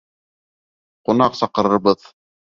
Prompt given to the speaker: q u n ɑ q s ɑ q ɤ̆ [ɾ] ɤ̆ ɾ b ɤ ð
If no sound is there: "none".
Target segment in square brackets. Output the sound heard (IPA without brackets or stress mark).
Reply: ɾ